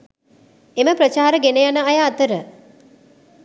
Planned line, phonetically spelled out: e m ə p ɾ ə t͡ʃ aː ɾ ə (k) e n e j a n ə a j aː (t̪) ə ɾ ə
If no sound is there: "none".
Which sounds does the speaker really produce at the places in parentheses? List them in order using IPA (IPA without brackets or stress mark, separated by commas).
ɡ, t̪